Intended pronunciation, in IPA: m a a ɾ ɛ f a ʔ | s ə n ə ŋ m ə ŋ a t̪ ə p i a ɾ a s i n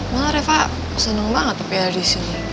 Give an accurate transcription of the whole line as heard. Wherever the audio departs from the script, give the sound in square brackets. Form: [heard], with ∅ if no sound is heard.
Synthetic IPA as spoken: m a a ɾ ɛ f a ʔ | s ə n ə ŋ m [a] ŋ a t̪ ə p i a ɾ [i] s i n